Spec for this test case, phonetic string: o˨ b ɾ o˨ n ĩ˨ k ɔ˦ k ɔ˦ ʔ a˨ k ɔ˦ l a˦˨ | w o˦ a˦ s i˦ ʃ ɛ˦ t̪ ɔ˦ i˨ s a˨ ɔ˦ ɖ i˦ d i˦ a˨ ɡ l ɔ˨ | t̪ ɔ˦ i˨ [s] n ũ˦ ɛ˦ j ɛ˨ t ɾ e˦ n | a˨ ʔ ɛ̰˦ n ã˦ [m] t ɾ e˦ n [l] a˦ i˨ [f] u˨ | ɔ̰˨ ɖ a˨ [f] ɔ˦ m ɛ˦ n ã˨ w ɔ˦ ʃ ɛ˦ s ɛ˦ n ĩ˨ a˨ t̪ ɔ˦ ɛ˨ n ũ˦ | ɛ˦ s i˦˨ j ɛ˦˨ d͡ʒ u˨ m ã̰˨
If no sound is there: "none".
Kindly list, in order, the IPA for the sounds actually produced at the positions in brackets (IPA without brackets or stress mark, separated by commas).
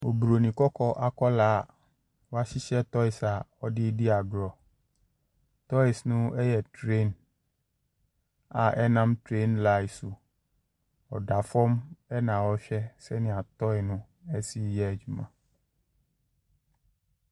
s, m, l, s, f